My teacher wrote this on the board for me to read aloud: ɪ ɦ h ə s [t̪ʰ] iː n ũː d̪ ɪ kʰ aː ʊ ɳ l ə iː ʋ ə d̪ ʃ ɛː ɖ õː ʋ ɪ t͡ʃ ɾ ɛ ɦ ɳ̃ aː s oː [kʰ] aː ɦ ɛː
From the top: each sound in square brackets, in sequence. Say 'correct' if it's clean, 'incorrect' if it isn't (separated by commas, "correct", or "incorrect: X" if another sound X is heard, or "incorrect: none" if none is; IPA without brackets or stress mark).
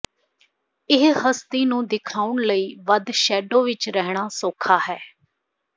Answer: incorrect: t̪, correct